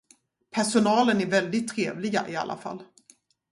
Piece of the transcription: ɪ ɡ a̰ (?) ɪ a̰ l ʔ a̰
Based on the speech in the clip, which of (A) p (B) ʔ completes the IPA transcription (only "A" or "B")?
B